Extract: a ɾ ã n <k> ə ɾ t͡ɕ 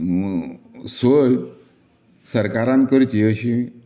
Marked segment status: correct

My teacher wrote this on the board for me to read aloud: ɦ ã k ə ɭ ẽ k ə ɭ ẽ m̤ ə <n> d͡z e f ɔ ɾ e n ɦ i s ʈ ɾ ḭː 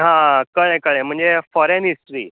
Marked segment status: incorrect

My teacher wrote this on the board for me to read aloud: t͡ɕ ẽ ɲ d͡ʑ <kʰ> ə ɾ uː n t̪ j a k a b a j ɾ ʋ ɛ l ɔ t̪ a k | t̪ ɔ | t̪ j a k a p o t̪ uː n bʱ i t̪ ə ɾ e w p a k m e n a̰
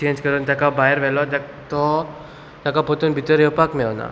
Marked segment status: incorrect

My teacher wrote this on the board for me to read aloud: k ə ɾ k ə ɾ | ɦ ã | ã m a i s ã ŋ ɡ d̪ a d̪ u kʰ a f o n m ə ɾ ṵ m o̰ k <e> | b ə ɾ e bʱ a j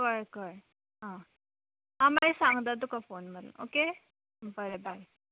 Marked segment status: correct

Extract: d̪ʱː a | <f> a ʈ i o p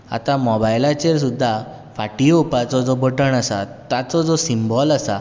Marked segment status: correct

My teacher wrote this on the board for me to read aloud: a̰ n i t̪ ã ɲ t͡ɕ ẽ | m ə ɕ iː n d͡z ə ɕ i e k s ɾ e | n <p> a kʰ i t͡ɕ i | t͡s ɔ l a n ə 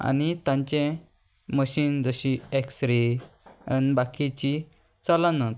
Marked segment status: incorrect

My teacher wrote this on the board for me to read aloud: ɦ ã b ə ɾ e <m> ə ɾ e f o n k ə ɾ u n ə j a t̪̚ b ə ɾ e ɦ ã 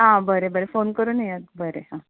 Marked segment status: incorrect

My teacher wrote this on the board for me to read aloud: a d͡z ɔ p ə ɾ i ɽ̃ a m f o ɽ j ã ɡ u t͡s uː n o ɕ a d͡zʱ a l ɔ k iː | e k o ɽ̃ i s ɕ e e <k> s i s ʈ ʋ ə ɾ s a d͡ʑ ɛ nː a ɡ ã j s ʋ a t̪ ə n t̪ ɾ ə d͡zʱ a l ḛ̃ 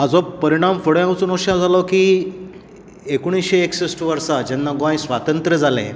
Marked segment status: correct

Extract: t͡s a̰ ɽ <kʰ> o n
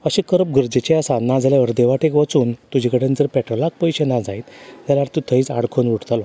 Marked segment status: correct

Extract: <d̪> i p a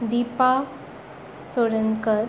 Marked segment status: correct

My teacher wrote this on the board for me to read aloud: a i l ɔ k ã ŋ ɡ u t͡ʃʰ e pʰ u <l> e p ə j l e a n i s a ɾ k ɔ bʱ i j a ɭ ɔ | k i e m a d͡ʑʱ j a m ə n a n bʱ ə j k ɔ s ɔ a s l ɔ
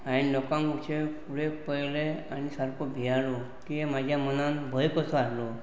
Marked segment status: incorrect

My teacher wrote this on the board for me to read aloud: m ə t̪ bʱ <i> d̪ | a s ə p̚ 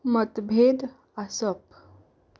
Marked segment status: incorrect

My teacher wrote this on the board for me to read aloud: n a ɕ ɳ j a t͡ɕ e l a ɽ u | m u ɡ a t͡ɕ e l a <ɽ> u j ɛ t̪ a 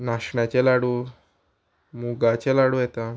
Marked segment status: correct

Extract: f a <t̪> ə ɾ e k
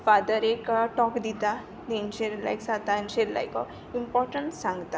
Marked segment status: incorrect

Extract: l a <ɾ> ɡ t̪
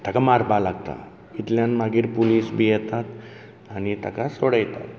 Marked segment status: incorrect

